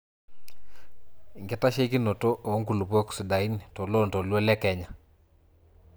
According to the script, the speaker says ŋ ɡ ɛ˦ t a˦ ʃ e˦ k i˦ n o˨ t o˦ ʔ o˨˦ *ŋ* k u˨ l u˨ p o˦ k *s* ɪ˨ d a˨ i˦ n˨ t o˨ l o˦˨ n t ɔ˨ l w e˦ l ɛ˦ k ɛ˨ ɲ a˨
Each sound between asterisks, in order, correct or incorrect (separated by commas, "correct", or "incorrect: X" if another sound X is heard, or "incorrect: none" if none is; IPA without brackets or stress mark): correct, correct